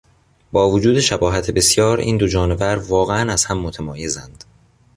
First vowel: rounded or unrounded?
rounded